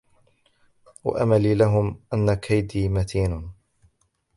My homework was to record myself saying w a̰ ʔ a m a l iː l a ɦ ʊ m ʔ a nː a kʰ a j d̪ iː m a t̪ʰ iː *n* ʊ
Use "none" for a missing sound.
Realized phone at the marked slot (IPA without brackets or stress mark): n